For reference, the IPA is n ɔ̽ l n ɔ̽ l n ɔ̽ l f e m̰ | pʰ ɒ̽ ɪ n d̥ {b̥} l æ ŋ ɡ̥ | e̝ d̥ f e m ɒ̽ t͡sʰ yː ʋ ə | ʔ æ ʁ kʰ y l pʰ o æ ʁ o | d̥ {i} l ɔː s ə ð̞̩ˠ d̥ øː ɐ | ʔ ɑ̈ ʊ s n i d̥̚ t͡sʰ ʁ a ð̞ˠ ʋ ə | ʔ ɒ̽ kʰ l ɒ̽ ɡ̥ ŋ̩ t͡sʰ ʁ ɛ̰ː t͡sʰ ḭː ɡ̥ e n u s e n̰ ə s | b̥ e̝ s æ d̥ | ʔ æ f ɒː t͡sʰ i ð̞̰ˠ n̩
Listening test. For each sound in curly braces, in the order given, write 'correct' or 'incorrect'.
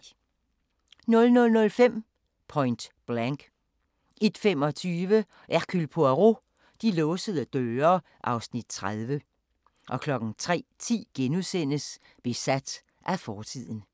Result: correct, correct

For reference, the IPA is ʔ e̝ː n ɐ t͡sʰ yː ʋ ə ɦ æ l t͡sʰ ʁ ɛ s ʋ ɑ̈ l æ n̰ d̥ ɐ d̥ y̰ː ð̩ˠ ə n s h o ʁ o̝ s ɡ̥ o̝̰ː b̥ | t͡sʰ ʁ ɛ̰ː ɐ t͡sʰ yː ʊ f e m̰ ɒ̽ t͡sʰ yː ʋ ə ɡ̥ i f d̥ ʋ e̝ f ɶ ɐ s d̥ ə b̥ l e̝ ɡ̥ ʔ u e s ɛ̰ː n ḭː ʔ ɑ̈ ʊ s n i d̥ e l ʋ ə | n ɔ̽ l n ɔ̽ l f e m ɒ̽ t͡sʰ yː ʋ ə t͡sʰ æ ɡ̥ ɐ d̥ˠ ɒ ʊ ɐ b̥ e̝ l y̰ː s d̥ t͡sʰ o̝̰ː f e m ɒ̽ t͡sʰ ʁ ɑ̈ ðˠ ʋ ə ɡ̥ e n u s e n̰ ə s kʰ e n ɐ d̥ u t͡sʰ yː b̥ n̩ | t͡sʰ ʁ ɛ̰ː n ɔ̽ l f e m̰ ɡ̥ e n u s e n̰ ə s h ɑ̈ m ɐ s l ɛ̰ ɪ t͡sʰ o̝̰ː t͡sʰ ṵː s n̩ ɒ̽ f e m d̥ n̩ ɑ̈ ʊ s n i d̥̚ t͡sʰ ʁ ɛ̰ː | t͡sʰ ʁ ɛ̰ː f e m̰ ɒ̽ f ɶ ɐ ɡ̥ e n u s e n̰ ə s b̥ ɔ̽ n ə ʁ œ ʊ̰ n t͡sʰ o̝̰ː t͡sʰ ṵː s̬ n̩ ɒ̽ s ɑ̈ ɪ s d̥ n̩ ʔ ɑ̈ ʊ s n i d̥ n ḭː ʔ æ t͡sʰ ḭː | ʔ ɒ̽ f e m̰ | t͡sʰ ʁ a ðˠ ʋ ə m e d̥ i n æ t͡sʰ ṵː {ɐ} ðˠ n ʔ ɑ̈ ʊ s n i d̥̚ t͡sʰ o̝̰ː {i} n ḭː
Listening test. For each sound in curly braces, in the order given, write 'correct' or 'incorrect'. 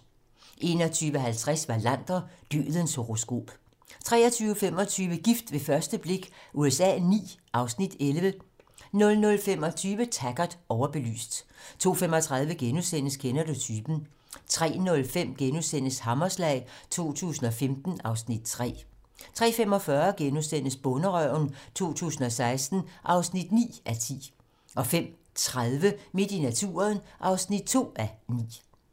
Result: correct, incorrect: æ

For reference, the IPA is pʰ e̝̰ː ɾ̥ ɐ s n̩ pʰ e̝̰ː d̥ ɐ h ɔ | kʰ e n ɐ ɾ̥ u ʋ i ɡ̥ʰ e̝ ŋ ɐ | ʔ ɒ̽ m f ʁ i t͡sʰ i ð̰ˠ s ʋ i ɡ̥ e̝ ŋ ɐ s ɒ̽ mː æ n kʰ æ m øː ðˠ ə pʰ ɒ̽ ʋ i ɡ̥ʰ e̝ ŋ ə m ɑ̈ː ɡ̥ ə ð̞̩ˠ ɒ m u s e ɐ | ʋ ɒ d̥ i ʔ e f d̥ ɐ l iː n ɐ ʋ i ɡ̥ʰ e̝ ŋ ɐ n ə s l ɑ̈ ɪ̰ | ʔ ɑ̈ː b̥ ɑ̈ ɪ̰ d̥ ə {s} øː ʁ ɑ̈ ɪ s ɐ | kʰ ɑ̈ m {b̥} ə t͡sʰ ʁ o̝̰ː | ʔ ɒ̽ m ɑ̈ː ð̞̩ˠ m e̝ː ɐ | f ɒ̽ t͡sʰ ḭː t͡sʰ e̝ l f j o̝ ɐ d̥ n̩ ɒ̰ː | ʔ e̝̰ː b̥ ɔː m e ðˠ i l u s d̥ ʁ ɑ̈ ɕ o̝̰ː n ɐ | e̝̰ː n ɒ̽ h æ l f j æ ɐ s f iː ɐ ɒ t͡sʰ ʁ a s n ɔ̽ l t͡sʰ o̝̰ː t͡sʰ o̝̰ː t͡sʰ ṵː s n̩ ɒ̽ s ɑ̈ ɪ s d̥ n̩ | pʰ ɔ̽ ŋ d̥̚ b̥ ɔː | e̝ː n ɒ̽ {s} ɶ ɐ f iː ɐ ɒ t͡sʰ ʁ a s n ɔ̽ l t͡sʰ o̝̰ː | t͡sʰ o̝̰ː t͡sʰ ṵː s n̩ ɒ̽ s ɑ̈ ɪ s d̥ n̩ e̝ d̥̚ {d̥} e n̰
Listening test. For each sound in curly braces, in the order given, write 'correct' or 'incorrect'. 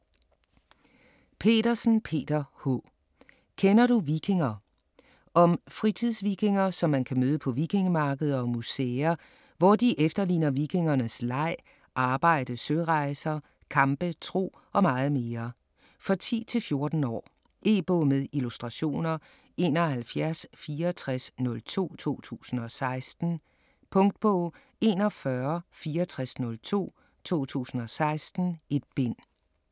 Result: correct, correct, incorrect: f, incorrect: b̥

